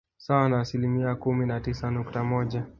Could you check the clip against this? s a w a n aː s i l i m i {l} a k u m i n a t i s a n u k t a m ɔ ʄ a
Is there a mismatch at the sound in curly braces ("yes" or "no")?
yes